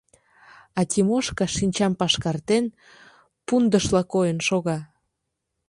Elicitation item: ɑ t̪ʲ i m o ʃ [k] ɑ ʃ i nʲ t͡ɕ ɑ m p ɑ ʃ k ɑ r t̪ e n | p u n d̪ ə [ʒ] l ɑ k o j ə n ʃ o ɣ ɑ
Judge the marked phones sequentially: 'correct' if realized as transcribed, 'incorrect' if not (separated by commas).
correct, incorrect